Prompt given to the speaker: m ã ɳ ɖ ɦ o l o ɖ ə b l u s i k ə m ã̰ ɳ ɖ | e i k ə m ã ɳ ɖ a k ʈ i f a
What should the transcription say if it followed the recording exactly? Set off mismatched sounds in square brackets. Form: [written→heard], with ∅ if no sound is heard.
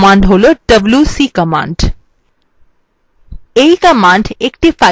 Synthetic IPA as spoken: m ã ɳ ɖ ɦ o l o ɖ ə b l u s i k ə m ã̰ ɳ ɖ | e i k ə m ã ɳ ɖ [a→e] k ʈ i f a